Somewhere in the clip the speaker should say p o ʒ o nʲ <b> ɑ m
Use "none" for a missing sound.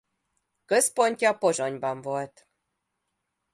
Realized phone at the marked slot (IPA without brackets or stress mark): b